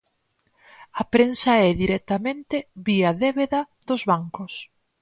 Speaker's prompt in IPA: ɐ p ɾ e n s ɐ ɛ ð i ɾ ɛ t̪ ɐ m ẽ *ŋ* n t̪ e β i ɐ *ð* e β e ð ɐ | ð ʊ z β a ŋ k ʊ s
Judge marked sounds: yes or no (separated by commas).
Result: no, yes